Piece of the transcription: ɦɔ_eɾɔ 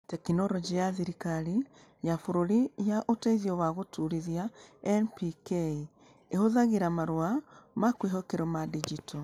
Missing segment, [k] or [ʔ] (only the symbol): k